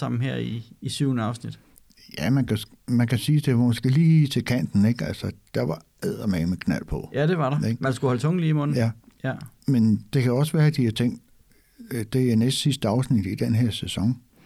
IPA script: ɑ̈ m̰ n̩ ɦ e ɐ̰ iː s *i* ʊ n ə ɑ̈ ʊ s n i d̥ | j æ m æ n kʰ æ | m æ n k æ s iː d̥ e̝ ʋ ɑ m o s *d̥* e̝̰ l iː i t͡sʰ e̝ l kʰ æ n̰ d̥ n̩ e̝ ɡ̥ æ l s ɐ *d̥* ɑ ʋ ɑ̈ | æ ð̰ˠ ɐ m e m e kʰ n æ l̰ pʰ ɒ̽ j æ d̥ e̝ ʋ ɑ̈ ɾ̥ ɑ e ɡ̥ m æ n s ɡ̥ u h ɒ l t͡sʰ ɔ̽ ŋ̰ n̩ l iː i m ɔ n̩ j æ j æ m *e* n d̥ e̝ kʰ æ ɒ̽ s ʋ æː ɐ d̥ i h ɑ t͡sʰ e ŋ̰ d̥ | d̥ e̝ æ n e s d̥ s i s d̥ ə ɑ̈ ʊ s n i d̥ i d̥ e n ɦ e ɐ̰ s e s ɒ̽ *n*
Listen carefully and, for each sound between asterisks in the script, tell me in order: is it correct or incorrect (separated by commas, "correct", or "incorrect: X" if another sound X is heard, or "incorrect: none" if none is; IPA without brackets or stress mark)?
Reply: incorrect: y, incorrect: ɡ̥, correct, correct, incorrect: ŋ